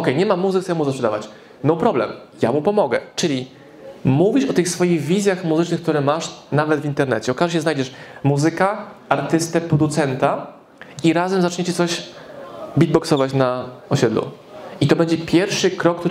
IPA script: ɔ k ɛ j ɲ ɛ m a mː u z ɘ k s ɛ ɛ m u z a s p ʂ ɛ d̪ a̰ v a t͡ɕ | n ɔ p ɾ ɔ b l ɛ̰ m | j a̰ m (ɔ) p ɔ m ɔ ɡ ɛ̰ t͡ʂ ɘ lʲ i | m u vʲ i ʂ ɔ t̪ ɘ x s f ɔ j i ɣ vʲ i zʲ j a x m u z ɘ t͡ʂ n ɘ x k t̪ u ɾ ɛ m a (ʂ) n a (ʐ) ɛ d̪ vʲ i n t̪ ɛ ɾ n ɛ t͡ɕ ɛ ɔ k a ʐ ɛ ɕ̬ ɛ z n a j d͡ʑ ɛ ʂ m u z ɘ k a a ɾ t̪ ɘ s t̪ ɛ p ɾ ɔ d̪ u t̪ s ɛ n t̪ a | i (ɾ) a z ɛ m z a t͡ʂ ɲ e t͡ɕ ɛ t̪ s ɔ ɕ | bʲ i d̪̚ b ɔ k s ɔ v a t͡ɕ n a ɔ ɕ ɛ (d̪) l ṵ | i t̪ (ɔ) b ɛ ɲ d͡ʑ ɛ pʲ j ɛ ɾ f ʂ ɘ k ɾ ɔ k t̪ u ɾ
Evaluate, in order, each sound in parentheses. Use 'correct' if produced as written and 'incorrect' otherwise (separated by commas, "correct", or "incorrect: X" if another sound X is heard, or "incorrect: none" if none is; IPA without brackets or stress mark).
incorrect: u, correct, incorrect: v, correct, correct, correct